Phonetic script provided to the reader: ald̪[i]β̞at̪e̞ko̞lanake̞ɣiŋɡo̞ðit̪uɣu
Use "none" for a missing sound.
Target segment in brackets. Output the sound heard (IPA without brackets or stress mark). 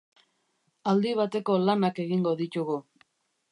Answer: i